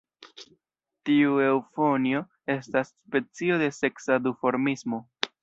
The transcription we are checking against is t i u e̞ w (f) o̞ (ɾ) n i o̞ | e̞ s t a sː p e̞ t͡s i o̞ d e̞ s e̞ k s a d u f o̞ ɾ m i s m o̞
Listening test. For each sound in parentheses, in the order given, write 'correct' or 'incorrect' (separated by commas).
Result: correct, incorrect